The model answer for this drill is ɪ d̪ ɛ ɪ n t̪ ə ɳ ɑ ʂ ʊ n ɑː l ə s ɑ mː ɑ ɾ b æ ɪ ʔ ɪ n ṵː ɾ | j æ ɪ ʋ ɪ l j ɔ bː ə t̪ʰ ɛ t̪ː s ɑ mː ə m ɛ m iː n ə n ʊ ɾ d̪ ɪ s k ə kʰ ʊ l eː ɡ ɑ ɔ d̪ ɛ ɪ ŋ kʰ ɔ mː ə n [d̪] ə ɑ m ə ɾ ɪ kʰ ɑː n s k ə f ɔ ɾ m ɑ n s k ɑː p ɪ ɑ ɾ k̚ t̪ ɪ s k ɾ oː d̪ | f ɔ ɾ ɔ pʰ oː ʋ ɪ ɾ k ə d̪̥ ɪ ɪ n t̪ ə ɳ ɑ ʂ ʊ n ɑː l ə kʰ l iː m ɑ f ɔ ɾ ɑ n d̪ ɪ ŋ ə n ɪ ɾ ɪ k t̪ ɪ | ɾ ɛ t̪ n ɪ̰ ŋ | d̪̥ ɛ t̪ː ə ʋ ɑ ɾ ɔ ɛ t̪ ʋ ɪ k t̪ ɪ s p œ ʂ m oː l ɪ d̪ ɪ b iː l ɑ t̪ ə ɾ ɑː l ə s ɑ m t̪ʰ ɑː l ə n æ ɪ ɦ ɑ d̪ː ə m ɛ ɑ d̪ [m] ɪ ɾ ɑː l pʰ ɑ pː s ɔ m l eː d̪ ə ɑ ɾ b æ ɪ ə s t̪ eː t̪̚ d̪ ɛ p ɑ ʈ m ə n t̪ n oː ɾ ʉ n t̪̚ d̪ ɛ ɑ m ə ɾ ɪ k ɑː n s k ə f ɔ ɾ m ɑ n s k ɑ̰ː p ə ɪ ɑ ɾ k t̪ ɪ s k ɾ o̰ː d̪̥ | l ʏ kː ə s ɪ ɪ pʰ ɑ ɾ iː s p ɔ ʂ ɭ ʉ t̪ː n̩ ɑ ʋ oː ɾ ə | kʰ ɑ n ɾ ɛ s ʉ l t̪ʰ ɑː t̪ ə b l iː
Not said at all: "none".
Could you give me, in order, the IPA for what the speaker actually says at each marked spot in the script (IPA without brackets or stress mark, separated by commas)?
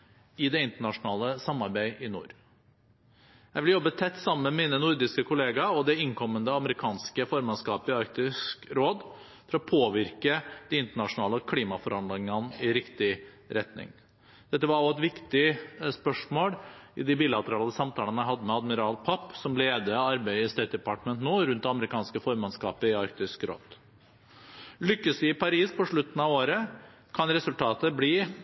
d̪, m